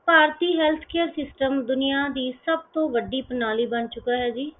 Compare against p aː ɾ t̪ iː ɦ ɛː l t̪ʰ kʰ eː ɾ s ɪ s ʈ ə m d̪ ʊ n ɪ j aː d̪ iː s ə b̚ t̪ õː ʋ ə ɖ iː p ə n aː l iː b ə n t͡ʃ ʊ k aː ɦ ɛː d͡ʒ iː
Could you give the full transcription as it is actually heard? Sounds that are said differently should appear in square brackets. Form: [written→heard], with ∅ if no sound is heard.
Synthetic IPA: p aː ɾ t̪ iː ɦ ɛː l t̪ʰ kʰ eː ɾ s ɪ s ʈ ə m d̪ ʊ n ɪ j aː d̪ iː s ə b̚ t̪ õː ʋ ə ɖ iː p ə n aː l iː b ə n t͡ʃ ʊ k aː ɦ ɛː d͡ʒ iː